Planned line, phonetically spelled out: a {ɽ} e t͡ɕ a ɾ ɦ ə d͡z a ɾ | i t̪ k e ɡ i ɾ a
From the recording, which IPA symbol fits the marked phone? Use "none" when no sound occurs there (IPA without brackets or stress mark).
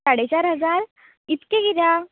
ɽ